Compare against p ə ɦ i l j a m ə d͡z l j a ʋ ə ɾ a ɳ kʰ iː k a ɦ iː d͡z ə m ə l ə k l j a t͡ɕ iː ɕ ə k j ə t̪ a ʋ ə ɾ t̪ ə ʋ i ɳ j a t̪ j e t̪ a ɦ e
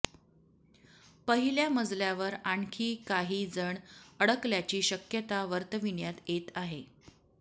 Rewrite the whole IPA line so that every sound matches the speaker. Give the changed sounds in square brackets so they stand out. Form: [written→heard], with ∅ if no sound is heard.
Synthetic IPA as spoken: p ə ɦ i l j a m ə d͡z l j a ʋ ə ɾ a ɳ kʰ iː k a ɦ iː d͡z ə [m→ɳ] ə [l→ɽ] ə k l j a t͡ɕ iː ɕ ə k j ə t̪ a ʋ ə ɾ t̪ ə ʋ i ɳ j a t̪ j e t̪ a ɦ e